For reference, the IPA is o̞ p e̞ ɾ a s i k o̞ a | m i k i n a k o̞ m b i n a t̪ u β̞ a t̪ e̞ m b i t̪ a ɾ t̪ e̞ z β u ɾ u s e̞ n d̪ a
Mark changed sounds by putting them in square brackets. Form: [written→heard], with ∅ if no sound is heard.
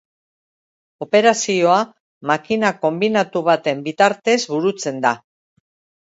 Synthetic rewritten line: o̞ p e̞ ɾ a s i [k→∅] o̞ a | m [i→a] k i n a k o̞ m b i n a t̪ u β̞ a t̪ e̞ m b i t̪ a ɾ t̪ e̞ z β u ɾ u [s→t͡s] e̞ n d̪ a